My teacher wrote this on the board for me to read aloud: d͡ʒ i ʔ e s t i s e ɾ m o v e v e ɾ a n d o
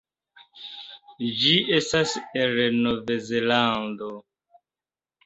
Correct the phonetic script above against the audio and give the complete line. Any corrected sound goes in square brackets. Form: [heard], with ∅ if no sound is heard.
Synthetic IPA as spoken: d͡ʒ i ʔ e s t [a] s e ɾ [n] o v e [z] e [l] a n d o